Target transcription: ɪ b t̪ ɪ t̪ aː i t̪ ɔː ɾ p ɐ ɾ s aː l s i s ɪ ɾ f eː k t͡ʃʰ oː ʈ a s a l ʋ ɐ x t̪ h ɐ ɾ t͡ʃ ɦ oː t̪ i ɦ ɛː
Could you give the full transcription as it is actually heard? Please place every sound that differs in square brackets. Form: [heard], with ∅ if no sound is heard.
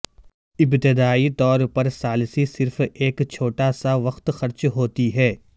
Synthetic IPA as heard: ɪ b t̪ ɪ [d̪] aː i t̪ ɔː ɾ p ɐ ɾ s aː l s i s ɪ ɾ f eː k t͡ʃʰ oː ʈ a s a [∅] ʋ ɐ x t̪ [x] ɐ ɾ t͡ʃ ɦ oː t̪ i ɦ ɛː